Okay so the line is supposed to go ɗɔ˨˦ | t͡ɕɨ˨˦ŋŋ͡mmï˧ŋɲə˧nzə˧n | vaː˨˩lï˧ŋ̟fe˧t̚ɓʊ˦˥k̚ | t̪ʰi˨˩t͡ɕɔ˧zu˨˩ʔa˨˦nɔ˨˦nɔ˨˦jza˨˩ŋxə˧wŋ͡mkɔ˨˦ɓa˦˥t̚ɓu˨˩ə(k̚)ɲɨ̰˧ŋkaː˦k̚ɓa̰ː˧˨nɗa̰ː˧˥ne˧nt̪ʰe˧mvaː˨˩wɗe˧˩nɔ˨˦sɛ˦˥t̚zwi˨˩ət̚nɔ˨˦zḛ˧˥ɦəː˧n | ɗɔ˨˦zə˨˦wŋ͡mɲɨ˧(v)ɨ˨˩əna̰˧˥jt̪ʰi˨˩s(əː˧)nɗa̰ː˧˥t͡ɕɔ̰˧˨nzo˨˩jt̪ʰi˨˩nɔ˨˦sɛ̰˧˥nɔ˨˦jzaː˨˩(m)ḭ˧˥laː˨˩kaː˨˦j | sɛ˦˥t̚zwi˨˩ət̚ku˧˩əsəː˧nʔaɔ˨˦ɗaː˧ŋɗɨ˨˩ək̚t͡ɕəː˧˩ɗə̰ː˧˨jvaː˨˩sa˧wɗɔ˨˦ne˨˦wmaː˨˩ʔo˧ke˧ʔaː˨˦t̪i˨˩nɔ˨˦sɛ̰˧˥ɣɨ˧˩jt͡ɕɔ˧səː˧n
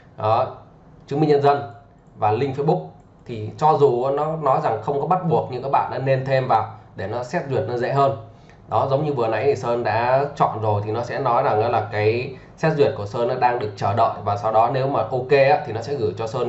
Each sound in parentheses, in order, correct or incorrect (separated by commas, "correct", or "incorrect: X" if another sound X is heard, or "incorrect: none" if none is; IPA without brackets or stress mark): correct, correct, correct, incorrect: ŋ